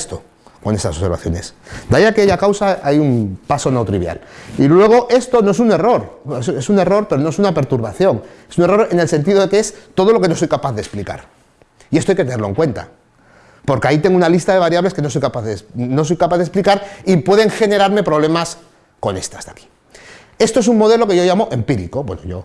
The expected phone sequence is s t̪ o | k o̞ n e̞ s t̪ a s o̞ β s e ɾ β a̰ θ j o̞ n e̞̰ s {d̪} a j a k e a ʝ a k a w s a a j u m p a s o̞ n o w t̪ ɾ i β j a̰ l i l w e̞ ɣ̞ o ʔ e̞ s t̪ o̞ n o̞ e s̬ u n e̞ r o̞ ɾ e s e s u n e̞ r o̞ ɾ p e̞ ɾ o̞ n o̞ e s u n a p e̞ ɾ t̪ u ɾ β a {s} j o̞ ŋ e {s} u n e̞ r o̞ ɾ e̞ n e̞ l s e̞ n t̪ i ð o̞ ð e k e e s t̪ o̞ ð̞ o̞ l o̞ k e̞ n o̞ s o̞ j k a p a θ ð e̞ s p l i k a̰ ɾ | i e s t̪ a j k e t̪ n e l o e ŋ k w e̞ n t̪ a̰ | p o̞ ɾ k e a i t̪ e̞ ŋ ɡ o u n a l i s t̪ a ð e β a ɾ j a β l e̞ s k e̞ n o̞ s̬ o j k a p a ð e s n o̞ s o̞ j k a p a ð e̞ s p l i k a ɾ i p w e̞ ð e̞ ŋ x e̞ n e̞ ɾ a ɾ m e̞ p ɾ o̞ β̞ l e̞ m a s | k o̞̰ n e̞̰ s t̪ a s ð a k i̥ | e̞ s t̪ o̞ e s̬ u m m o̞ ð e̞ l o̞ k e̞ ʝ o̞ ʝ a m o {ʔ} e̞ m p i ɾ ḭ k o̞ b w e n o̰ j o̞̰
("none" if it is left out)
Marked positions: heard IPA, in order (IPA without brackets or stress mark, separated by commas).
d̪, θ, s, ʔ